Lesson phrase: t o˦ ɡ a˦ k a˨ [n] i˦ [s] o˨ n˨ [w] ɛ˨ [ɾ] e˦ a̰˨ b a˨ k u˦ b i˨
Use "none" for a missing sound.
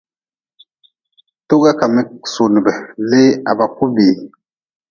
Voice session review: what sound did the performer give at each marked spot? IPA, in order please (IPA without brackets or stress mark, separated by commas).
m, s, b, l